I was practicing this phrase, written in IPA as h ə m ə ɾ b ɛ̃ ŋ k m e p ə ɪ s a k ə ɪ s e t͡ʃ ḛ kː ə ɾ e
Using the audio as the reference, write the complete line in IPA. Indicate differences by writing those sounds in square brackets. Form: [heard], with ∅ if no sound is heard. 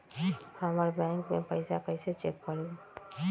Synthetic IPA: h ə m ə ɾ b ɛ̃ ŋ k m e p ə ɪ s a k ə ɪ s e t͡ʃ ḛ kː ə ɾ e

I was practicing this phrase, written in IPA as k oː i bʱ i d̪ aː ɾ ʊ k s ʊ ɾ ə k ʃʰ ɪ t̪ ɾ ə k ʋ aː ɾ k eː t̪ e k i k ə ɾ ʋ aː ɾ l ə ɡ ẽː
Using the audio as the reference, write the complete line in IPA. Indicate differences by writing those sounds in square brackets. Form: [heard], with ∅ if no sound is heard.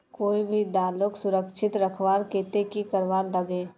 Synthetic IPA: k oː i bʱ i d̪ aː [l] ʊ k s ʊ ɾ ə k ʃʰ ɪ t̪ ɾ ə [kʰ] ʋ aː ɾ k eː t̪ e k i k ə ɾ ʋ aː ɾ l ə ɡ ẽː

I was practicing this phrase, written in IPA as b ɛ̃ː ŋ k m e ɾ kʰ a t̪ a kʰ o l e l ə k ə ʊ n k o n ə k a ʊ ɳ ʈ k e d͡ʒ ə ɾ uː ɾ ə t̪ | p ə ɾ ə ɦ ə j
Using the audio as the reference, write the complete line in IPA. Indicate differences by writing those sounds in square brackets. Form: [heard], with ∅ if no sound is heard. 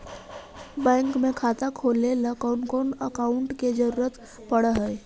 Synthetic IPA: b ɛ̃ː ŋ k m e [∅] kʰ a t̪ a kʰ o l e l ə k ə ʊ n k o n ə k a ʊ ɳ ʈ k e d͡ʒ ə ɾ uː ɾ ə t̪ | p ə [ɽ] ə ɦ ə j

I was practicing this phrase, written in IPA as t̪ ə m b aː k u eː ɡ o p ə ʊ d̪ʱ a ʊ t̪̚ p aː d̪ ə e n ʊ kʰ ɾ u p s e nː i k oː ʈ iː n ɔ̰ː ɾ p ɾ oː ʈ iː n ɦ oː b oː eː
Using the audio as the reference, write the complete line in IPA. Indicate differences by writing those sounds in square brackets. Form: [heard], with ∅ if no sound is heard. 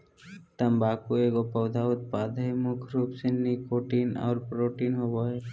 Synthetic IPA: t̪ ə m b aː k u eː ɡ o p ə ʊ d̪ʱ a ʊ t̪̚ p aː d̪ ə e [m] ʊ kʰ ɾ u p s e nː i k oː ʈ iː n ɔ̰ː ɾ p ɾ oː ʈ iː n ɦ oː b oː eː

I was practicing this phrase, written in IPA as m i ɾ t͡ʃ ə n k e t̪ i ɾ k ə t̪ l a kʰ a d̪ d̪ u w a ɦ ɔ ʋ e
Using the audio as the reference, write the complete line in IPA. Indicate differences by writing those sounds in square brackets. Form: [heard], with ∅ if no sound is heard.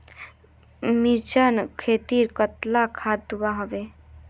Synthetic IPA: m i ɾ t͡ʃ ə n [kʰ] e t̪ i ɾ k ə t̪ l a kʰ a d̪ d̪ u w a ɦ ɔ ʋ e

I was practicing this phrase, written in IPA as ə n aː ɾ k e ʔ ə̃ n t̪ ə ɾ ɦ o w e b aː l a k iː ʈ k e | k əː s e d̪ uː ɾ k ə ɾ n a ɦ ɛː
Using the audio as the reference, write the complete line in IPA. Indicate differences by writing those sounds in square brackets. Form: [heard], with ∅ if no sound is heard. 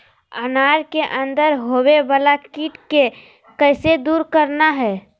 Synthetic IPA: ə n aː ɾ k e ʔ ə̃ n [d̪] ə ɾ ɦ o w e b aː l a k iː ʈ k e | k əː s e d̪ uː ɾ k ə ɾ n a ɦ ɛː

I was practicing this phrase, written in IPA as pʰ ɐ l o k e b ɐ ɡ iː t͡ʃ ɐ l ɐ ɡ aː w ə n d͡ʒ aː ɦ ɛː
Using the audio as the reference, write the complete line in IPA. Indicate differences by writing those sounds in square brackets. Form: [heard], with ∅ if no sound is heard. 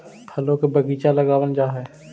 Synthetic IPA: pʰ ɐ l o k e b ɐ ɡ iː t͡ʃ [a] l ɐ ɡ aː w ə n d͡ʒ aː ɦ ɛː

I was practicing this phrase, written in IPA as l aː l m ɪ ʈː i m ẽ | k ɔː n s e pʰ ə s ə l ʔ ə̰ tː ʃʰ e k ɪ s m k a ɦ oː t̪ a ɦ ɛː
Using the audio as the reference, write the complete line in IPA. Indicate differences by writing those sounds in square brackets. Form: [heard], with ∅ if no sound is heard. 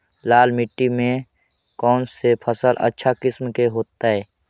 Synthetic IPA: l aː l m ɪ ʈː i m ẽ | k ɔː n s e pʰ ə s ə l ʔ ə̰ tː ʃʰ [a] k ɪ s m k [e] ɦ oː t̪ a ɦ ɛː

